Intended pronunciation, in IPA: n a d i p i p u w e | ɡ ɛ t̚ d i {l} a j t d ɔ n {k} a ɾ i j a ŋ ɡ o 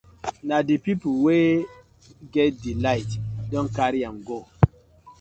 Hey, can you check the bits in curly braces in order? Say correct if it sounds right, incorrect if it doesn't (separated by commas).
correct, correct